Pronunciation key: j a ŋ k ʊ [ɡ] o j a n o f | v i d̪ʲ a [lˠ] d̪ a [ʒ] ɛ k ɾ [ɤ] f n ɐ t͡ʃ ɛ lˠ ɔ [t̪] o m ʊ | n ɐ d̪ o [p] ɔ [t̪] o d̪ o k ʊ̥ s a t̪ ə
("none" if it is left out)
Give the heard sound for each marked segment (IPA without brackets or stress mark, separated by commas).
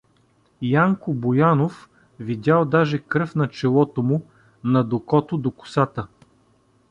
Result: b, lˠ, ʒ, ɤ, t̪, k, t̪